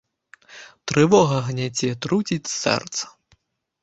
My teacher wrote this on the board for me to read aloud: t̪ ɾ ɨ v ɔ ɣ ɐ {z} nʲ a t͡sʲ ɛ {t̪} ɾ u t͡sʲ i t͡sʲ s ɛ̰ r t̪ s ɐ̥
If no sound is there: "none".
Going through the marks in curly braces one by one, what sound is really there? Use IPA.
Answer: ɣ, t̪

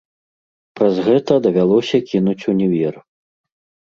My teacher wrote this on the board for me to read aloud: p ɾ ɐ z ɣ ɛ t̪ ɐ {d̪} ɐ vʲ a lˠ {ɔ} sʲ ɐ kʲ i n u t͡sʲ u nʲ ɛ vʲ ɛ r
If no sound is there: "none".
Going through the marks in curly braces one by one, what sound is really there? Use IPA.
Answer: d̪, ɔ

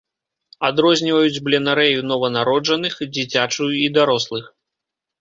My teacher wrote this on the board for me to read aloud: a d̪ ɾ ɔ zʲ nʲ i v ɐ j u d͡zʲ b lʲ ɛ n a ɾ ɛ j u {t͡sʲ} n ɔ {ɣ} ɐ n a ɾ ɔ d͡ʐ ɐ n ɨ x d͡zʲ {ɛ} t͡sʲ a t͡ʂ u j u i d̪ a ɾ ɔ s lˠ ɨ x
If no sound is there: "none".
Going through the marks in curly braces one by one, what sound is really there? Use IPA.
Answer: none, v, i

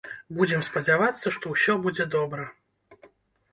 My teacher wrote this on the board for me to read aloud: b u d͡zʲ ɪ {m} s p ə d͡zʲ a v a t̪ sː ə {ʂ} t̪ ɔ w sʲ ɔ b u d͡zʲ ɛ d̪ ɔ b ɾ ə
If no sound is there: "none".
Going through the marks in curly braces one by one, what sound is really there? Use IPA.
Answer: m, ʂ

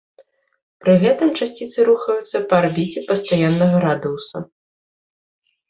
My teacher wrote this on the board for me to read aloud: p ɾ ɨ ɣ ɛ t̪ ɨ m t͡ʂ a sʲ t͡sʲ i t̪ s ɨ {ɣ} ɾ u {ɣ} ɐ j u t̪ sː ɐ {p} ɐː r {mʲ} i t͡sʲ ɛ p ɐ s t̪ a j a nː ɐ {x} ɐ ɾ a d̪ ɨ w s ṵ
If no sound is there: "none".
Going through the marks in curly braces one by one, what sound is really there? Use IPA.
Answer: none, x, p, bʲ, ɣ

